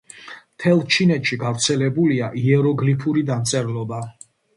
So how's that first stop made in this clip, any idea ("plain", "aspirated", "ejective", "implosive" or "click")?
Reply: aspirated